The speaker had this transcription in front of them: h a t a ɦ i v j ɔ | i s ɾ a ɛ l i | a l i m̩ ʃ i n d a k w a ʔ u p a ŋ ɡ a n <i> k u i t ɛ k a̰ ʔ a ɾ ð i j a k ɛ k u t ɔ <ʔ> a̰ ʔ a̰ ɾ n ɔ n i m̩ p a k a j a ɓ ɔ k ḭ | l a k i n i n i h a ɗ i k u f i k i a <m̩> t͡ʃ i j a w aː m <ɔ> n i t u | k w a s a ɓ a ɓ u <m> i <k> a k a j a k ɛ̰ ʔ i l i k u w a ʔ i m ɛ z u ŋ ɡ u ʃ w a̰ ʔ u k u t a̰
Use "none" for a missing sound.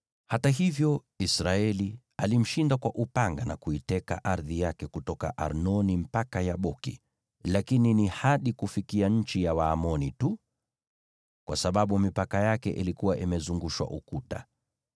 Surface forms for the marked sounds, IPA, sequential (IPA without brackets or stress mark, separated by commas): a, k, ɲ̩, ɔ, m, p